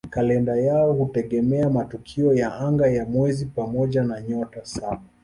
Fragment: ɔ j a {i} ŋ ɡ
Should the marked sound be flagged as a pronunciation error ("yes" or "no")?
yes